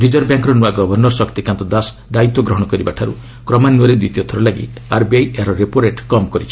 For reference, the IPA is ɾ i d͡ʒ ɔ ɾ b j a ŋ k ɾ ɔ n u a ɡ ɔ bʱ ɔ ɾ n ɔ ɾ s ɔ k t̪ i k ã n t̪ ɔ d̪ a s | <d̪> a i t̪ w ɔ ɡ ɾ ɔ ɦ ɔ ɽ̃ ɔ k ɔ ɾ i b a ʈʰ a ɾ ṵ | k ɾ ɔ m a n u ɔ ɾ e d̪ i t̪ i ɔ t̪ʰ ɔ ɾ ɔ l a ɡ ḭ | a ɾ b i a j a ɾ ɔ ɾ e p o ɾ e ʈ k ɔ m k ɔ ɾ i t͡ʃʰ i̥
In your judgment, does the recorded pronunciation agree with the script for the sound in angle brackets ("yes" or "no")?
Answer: yes